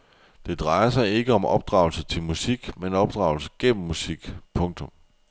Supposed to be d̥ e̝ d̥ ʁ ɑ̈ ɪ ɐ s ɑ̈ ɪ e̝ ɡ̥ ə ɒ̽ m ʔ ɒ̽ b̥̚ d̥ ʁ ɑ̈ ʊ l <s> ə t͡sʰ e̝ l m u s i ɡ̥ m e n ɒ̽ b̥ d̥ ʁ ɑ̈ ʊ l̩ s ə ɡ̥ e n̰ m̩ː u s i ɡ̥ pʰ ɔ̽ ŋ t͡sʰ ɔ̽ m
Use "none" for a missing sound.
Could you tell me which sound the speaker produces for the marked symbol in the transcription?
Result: s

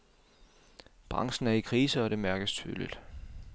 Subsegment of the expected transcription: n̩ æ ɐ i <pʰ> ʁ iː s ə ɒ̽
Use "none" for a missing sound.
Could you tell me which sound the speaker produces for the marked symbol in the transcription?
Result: kʰ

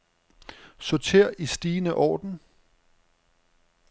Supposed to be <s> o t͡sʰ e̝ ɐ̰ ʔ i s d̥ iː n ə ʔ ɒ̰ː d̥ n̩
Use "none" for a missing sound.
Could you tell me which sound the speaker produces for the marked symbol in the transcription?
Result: s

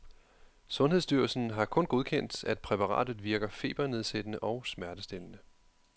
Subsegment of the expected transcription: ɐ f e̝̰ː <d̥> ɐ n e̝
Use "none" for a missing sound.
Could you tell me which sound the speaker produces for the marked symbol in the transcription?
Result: b̥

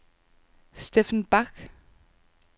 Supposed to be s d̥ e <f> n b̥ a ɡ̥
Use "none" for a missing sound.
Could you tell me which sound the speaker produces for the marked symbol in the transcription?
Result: f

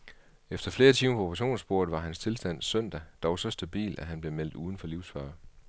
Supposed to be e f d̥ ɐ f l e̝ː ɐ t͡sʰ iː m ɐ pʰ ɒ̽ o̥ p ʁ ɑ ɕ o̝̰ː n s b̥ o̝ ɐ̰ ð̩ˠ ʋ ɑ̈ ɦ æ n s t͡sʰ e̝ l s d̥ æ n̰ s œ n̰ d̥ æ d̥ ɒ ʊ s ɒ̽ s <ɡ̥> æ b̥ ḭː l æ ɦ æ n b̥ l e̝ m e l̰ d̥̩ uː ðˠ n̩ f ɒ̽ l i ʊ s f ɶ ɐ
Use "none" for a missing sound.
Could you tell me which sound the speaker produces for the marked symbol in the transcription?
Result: d̥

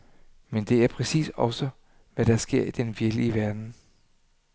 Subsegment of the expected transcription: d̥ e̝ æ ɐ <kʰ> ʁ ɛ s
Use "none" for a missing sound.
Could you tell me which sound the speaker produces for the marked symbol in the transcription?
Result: pʰ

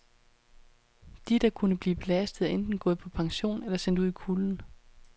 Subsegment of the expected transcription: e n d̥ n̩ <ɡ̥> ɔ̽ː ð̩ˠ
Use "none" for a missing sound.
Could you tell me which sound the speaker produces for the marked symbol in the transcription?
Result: ɡ̥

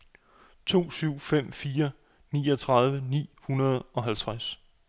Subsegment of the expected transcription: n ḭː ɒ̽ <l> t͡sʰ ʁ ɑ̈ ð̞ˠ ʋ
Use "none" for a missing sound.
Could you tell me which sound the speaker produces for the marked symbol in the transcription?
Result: none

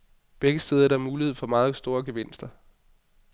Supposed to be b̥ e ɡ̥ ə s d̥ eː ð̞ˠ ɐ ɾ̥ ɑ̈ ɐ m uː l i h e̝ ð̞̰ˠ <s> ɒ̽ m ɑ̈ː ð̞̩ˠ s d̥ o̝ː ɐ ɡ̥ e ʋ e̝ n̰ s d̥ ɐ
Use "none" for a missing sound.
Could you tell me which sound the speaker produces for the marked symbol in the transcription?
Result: f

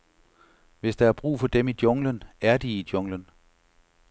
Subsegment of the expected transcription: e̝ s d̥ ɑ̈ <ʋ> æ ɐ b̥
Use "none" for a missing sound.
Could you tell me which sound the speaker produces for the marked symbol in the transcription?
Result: none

